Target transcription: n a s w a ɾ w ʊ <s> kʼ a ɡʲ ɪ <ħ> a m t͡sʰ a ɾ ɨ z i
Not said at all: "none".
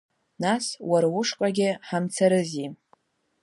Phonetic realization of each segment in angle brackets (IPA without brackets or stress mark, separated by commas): ʂ, ħ